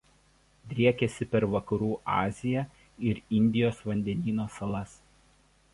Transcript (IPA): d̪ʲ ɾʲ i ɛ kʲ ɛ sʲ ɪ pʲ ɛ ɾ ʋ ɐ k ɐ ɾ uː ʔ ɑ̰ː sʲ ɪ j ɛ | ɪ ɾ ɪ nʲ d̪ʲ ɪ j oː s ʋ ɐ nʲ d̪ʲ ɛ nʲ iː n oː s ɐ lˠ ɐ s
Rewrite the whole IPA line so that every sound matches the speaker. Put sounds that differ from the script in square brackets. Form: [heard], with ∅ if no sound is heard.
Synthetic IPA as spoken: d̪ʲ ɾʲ i ɛ kʲ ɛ sʲ ɪ pʲ ɛ ɾ ʋ ɐ k ɐ ɾ uː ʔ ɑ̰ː [zʲ] ɪ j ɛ | ɪ ɾ ɪ nʲ d̪ʲ ɪ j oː s ʋ ɐ nʲ d̪ʲ ɛ nʲ iː n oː s ɐ lˠ ɐ s